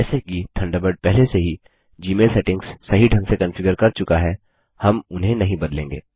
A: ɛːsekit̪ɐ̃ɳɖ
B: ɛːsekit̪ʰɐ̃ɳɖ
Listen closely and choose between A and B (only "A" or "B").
B